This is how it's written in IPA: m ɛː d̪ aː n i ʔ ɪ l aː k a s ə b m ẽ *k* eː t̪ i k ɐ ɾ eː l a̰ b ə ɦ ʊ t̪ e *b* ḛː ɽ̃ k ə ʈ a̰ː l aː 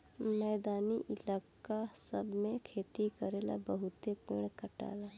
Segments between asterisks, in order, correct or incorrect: incorrect: kʰ, incorrect: p

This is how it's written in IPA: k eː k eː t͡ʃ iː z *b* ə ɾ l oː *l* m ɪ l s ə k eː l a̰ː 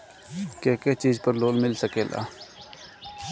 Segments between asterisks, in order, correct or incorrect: incorrect: p, correct

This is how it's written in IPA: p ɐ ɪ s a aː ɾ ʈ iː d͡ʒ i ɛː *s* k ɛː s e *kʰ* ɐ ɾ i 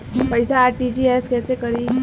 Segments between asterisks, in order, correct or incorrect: correct, incorrect: k

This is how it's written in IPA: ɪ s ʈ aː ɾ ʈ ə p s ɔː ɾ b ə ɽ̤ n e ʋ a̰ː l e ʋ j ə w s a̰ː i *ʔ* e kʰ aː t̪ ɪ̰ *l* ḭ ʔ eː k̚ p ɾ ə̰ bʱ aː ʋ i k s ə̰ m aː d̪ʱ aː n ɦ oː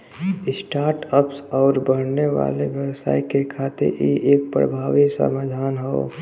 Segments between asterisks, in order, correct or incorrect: incorrect: k, incorrect: ɾ

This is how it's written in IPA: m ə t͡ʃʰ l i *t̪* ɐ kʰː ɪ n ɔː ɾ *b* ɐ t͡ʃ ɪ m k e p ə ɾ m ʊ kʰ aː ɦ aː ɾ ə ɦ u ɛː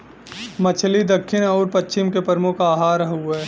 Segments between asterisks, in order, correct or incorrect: incorrect: d̪, incorrect: p

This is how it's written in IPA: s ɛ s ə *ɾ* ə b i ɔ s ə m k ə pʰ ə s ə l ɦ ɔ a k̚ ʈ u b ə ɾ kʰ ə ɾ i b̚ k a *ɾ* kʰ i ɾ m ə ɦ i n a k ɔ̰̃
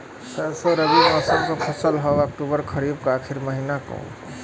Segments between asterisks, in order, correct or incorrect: correct, incorrect: none

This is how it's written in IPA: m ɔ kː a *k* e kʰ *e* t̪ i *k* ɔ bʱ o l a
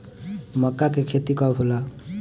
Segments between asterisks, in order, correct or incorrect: correct, correct, correct

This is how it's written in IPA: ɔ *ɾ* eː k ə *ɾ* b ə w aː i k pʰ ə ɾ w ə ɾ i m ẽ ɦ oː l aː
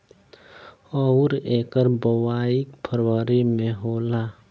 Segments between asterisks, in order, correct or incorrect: correct, correct

